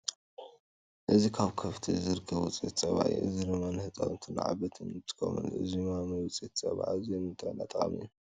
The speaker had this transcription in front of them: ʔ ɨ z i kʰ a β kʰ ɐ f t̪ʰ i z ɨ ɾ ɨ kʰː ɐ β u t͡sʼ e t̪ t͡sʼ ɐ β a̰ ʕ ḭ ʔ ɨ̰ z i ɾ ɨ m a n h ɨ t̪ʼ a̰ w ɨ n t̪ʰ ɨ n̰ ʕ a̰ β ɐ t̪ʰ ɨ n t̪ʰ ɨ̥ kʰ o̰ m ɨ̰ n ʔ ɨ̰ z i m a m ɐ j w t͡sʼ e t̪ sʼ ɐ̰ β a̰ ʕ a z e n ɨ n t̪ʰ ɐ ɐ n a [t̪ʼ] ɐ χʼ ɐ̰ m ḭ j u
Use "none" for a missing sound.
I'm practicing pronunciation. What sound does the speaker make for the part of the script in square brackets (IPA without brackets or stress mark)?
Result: t̪ʼ